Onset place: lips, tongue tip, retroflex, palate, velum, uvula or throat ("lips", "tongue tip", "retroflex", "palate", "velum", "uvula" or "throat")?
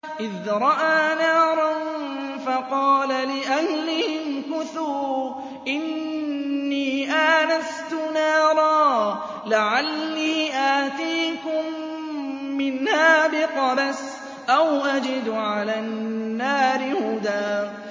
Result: throat